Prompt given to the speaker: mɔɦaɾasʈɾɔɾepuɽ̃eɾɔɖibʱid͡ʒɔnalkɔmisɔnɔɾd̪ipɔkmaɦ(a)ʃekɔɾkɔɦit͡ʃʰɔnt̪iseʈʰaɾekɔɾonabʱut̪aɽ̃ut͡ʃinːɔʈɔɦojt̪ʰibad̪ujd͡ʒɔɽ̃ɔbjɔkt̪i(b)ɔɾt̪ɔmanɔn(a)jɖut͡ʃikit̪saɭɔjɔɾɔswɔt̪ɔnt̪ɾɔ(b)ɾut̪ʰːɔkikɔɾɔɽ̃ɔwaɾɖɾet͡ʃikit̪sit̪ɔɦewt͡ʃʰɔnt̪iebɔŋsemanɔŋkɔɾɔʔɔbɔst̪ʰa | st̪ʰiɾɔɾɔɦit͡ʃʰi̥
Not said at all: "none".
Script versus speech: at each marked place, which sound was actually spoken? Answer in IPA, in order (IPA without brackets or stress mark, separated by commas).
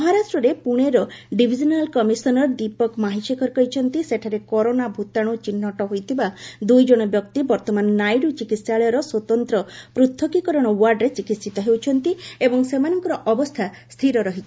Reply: i, b, a, p